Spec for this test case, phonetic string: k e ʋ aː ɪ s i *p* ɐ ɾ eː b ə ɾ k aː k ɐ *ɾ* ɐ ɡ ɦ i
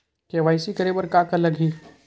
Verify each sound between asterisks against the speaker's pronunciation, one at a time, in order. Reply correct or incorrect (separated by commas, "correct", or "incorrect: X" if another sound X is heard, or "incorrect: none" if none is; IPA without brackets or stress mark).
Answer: incorrect: k, incorrect: l